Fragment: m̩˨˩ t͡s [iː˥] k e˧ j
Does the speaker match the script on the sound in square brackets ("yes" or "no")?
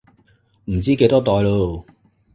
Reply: yes